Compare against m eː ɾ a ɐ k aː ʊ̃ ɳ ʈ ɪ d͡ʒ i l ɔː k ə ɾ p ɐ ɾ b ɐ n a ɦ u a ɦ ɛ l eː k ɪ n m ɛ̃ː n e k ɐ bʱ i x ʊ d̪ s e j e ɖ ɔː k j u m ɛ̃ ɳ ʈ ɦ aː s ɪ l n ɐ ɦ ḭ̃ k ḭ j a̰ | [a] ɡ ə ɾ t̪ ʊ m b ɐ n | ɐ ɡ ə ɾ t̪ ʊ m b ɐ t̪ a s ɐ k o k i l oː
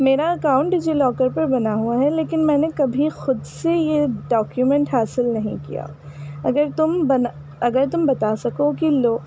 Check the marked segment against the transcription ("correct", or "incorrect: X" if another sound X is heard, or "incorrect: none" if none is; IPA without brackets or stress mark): incorrect: ɐ